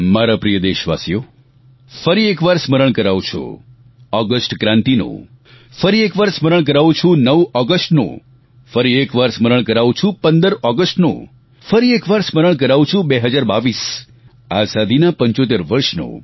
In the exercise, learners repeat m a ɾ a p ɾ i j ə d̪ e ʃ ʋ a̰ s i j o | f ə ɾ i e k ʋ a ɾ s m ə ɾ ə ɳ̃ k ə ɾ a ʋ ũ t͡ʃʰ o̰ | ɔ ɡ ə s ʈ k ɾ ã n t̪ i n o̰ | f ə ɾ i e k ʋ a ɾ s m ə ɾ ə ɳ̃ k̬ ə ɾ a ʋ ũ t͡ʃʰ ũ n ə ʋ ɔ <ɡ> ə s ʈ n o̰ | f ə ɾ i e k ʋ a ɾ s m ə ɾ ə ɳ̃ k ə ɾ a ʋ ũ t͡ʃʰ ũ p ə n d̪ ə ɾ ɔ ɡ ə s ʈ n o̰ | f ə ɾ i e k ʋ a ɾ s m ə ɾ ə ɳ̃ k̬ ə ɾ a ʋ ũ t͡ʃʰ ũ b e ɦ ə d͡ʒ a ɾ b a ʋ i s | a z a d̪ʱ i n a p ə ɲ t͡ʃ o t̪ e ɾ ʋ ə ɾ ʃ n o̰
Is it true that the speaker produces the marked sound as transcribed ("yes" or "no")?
yes